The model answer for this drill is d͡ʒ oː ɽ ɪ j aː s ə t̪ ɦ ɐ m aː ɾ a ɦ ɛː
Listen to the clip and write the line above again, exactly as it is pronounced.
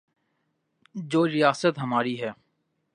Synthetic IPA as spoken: d͡ʒ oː ɾ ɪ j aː s ə t̪ ɦ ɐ m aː ɾ i ɦ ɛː